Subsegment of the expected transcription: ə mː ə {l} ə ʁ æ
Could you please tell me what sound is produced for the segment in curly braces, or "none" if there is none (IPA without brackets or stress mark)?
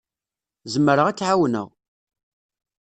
ɾ